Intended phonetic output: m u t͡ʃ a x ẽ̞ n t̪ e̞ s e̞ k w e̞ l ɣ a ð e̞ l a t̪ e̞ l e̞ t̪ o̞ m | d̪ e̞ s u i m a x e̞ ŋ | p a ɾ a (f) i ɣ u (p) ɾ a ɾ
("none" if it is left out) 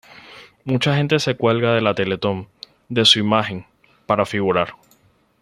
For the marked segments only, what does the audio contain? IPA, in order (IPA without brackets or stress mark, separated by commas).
f, none